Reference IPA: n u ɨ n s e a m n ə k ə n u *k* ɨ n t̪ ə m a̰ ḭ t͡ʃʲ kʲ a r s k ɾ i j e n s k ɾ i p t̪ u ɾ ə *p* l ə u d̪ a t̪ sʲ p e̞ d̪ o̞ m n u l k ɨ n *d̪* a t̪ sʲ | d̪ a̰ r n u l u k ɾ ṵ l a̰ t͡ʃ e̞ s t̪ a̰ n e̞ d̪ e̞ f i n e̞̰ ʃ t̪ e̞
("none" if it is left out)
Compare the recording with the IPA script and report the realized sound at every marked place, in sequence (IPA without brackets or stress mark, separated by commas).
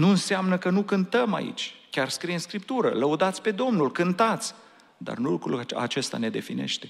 k, none, t̪